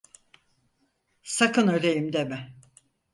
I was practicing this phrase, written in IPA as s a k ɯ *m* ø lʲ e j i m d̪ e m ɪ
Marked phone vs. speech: incorrect: n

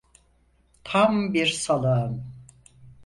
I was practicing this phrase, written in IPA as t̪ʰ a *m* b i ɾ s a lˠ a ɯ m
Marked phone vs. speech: correct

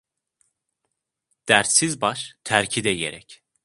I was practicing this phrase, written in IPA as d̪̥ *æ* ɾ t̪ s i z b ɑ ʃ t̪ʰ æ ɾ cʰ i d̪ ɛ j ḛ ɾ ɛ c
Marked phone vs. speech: correct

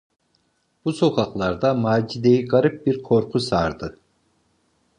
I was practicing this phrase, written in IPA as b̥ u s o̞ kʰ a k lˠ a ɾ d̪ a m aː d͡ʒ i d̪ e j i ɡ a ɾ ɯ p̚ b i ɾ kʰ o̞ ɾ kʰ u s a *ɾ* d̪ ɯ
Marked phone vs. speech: correct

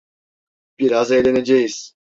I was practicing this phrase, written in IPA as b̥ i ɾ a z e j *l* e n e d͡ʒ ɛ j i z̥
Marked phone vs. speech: correct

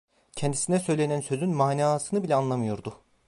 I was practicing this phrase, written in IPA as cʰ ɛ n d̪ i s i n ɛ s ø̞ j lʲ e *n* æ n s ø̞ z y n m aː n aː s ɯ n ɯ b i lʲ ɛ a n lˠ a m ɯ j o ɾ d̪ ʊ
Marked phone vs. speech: correct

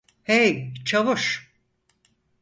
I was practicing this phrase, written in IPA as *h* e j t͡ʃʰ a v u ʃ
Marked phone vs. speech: correct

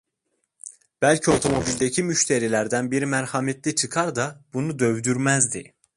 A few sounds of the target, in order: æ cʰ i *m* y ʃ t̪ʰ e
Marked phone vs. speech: correct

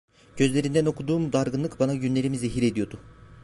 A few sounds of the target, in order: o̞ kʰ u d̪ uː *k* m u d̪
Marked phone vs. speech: incorrect: none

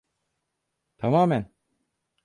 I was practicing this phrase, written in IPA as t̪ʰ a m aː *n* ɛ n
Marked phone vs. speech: incorrect: m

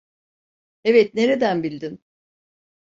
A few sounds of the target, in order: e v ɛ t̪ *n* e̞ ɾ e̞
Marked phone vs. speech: correct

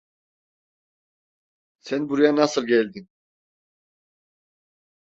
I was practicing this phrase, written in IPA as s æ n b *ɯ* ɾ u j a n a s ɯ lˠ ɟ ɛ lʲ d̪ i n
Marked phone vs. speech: incorrect: u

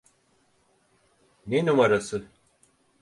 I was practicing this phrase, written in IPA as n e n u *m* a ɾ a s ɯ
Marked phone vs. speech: correct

